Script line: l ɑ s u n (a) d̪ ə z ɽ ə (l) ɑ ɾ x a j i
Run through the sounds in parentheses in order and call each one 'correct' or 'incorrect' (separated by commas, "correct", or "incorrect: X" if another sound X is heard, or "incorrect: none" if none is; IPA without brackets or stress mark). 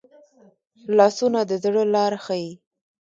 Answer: correct, correct